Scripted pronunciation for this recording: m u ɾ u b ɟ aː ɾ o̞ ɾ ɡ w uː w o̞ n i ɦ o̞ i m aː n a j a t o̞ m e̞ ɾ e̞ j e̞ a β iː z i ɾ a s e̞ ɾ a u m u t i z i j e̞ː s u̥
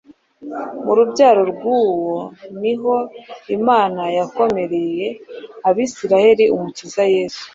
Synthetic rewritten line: m u ɾ u b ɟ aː ɾ o̞ ɾ ɡ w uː w o̞ n i ɦ o̞ i m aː n a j a k o̞ m e̞ ɾ e̞ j e̞ a β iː s i ɾ a h e̞ ɾ i u m u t i z a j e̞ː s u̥